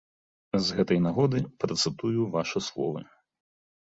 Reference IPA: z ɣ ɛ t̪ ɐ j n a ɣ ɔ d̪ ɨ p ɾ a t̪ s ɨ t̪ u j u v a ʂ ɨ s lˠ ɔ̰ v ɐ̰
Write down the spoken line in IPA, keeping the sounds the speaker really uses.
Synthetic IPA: z ɣ ɛ t̪ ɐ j n a ɣ ɔ d̪ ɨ p ɾ ɐ t̪ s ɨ t̪ u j u v a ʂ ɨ s lˠ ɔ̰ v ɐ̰